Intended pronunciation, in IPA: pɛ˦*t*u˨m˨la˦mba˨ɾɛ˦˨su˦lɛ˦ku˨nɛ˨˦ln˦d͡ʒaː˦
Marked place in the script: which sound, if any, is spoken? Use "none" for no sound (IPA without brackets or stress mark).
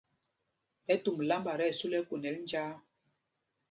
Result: t